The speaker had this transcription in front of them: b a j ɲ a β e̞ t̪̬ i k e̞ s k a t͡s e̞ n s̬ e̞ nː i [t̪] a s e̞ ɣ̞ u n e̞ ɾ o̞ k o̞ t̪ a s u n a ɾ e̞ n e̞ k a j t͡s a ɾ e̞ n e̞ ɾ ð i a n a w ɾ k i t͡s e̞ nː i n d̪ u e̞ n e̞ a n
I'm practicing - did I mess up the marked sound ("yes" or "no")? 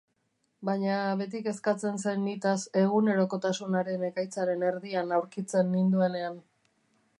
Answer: no